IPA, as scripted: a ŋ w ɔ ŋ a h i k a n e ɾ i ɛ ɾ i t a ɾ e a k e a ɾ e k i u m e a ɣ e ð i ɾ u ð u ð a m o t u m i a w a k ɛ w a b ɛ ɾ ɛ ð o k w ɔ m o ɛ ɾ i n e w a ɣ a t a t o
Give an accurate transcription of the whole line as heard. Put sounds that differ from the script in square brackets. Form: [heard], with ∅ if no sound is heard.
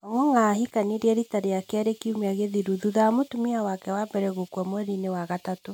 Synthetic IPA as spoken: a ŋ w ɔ ŋ a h i k a n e ɾ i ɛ ɾ i t a ɾ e a k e a ɾ e k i u m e a ɣ e ð i ɾ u ð u ð a m o t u m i a w a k ɛ w a b ɛ ɾ ɛ [ɣ] o k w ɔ m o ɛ ɾ i n e w a ɣ a t a t o